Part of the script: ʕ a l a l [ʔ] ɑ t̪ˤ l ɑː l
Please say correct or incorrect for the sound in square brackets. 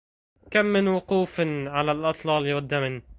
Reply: correct